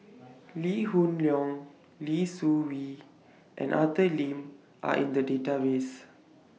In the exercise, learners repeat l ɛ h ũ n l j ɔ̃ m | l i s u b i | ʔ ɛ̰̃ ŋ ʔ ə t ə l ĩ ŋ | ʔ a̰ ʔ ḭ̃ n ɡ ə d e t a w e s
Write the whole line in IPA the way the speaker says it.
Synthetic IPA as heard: l i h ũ n l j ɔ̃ ŋ | l i s u w i | ʔ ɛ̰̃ n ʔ a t ə l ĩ m | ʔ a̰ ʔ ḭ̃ n d ə d e t a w e s